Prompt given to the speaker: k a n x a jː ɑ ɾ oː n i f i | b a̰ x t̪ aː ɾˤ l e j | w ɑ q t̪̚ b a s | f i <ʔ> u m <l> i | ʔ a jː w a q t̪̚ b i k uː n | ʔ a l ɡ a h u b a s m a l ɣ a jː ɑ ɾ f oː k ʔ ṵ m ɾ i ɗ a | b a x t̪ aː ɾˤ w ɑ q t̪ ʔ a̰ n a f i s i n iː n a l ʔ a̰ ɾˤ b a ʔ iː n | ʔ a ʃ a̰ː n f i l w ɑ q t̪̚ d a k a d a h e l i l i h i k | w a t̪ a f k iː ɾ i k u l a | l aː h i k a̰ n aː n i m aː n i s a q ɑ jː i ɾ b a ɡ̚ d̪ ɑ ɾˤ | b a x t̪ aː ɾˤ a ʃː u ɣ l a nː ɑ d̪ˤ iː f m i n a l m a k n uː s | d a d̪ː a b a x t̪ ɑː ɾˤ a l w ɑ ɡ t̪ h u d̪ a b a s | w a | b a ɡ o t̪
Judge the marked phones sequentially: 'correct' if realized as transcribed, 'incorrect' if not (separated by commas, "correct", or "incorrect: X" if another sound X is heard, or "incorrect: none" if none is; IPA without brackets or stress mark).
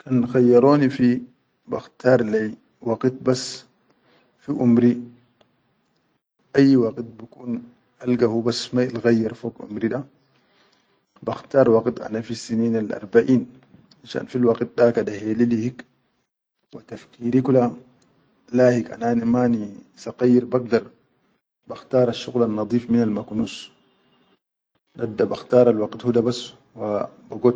correct, incorrect: ɾ